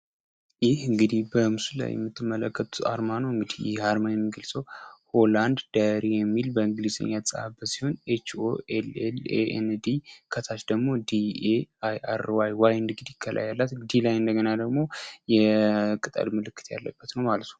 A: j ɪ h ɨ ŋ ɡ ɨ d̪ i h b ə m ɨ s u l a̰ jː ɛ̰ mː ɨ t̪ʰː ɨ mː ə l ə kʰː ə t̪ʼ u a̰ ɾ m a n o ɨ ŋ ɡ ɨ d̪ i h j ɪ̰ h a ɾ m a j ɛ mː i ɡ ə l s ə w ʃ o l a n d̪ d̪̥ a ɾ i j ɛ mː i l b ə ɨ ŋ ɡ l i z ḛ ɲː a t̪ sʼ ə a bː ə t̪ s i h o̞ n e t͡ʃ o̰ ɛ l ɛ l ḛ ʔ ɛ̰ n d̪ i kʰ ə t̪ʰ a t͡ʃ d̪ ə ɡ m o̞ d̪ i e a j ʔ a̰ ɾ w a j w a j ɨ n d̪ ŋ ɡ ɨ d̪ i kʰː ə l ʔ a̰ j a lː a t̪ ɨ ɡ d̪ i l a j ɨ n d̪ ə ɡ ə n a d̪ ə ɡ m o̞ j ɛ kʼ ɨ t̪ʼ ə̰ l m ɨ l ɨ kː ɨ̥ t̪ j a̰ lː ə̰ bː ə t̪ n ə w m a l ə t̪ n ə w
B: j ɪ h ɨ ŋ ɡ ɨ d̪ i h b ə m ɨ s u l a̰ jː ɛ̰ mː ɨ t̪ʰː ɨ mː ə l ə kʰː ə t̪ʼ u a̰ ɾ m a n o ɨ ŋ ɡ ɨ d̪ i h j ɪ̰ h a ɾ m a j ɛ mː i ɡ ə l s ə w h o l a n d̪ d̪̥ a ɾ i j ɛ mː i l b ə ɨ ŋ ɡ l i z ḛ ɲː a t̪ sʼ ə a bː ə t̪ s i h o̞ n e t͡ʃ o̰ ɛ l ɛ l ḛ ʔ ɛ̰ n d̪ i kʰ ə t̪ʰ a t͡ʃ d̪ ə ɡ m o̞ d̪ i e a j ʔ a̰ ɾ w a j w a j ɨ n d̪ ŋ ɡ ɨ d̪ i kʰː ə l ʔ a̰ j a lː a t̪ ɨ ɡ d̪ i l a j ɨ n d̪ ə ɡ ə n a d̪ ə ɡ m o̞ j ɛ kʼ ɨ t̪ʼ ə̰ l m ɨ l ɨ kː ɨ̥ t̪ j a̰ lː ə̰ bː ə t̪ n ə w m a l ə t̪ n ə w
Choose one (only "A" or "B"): B